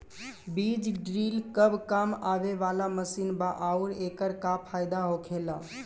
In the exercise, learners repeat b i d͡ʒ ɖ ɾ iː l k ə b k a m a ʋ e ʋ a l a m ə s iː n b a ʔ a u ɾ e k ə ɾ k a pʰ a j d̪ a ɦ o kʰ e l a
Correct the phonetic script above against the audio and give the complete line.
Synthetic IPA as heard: b i d͡ʒ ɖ ɾ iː l k ə b k a m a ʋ e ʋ a l a m ə s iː n b a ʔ a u ɾ e k ə ɾ k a pʰ a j d̪ a ɦ o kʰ e l a

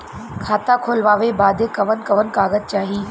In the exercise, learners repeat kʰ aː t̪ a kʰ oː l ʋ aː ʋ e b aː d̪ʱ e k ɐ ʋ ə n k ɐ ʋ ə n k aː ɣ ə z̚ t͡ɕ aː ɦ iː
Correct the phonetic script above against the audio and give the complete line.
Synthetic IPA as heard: kʰ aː t̪ a kʰ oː l ʋ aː ʋ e b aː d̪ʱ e k ɐ ʋ ə n k ɐ ʋ ə n k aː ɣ ə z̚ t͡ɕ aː ɦ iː

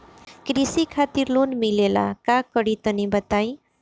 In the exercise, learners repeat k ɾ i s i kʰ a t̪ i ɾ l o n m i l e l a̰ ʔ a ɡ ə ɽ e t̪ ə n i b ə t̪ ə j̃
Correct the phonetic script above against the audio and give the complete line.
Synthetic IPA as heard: k ɾ i s i kʰ a t̪ i ɾ l o n m i l e l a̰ k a k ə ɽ i t̪ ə n i b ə t̪ a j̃

